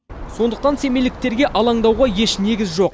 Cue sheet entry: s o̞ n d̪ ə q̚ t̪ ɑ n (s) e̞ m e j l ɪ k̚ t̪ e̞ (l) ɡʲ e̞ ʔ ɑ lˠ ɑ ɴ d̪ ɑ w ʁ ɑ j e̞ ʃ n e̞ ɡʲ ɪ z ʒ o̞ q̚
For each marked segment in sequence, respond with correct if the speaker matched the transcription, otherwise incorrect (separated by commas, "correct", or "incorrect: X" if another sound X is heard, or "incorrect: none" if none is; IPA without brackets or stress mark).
correct, incorrect: ɾ